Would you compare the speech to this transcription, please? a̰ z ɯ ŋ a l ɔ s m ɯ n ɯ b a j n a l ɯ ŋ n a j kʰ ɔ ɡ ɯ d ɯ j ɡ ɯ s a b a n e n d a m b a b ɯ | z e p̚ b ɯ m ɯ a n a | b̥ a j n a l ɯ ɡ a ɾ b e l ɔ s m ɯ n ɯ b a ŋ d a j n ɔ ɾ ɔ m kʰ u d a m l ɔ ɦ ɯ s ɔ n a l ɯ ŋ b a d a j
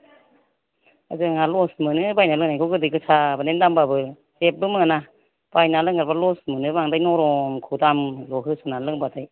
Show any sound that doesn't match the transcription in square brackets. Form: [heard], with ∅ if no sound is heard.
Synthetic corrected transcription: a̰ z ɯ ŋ a l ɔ s m ɯ n ɯ b a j n a l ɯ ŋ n a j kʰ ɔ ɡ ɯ d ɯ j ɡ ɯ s a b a n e n d a m b a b ɯ | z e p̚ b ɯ m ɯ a n a | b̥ a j n a l ɯ [ŋ] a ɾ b [a] l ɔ s m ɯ n ɯ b a ŋ d a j n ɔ ɾ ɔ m kʰ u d a m l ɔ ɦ ɯ s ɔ n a l ɯ ŋ b a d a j